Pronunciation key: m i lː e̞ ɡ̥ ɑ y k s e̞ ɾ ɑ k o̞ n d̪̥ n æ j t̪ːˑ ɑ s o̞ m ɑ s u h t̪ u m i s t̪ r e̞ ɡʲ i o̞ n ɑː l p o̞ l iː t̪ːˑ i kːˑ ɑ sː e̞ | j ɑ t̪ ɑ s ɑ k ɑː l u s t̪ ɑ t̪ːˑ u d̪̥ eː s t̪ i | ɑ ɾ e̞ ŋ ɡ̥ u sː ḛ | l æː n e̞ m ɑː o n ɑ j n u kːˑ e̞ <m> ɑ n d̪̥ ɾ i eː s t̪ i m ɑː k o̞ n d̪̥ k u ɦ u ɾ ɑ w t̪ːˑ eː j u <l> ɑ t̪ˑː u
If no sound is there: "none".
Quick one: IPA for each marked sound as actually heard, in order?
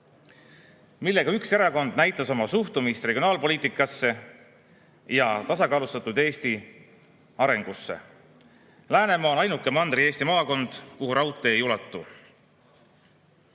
m, l

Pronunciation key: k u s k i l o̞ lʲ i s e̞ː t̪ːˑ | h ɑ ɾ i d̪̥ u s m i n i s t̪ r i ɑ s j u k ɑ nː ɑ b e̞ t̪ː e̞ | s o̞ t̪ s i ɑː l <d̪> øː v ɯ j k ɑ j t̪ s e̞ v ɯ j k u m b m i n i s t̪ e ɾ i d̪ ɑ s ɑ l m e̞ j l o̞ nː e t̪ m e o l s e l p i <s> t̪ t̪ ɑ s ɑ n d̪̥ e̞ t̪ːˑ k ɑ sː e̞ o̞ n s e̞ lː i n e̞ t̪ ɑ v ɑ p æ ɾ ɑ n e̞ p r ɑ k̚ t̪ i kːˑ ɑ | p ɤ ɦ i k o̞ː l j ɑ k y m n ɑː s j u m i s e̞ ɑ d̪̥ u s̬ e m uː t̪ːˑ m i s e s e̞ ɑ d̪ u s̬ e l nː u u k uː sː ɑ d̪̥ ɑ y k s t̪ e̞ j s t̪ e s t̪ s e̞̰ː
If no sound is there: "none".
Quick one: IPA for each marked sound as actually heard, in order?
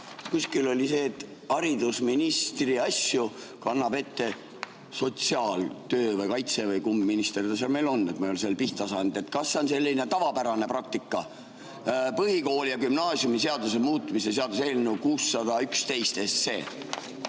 t̪, h

